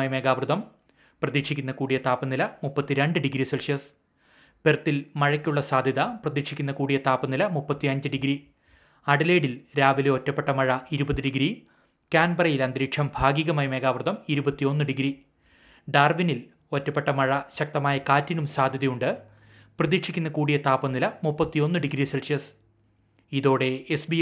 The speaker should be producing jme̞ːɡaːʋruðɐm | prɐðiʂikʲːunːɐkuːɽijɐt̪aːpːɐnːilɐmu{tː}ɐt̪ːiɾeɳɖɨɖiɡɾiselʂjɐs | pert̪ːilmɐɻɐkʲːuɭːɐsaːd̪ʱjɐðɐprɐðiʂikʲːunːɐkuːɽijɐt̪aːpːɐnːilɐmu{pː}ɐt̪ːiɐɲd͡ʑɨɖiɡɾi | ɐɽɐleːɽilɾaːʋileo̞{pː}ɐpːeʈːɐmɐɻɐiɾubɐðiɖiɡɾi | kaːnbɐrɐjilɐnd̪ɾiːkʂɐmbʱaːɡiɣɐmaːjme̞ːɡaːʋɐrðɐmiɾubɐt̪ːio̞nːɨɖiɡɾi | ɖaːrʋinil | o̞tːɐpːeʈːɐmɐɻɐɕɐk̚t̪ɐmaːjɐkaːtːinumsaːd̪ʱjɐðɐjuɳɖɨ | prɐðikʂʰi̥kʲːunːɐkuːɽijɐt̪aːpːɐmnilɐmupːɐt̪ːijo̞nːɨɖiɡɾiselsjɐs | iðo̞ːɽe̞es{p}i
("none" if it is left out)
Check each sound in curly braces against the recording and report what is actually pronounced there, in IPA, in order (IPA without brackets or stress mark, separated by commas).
pː, pː, tː, b